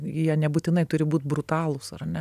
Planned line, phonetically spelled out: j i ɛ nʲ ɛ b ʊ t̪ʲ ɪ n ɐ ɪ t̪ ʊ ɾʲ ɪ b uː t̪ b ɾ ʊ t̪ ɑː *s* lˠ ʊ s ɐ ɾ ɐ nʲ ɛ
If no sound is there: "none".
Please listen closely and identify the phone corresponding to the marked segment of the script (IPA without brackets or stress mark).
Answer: none